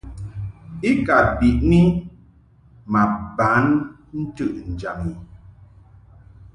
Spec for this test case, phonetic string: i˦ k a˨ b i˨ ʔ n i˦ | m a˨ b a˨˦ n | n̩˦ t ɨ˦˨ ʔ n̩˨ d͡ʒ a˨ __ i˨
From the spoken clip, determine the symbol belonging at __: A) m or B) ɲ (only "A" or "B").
A